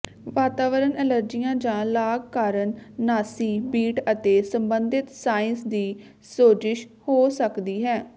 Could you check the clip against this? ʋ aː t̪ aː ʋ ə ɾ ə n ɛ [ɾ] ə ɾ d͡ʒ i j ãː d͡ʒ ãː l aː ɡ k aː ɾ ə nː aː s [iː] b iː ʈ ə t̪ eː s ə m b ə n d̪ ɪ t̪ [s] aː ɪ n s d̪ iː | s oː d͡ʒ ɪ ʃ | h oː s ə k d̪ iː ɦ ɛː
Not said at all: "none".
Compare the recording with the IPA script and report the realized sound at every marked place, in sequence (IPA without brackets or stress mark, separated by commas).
l, iː, s